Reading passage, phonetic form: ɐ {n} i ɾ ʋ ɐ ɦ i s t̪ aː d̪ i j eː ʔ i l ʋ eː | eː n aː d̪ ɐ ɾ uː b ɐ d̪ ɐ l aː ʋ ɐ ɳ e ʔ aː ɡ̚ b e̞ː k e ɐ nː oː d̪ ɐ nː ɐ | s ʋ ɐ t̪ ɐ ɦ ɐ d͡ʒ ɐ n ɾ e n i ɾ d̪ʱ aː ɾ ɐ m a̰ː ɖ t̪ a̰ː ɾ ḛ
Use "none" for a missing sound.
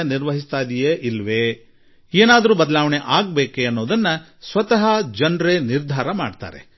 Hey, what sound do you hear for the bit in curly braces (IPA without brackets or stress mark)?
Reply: n